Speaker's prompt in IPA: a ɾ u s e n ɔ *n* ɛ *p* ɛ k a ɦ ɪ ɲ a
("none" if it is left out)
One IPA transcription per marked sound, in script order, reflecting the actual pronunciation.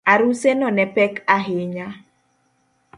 n, p

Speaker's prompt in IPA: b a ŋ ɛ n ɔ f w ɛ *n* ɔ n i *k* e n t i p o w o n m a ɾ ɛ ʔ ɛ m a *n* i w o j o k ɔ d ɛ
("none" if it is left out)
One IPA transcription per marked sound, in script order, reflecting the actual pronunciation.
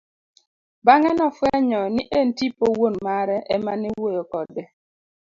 ɲ, ʔ, n

